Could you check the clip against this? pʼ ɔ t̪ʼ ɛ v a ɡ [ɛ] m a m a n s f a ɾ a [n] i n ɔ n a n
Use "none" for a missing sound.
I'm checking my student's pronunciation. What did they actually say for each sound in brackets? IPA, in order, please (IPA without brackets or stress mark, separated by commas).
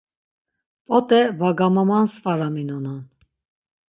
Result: a, m